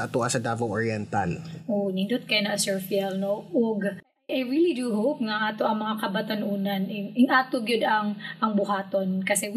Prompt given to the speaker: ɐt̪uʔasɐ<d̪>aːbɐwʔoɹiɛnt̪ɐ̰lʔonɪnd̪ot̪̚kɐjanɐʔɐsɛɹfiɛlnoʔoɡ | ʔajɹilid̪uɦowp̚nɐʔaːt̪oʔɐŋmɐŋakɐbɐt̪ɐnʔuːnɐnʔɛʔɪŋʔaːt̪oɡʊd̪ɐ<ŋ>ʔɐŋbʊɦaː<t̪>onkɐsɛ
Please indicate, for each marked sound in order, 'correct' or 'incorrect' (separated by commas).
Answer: correct, correct, correct